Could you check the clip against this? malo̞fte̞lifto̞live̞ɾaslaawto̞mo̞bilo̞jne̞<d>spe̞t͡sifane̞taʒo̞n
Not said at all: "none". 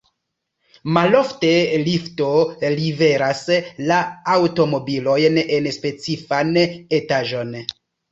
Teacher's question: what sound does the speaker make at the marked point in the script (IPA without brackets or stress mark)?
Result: n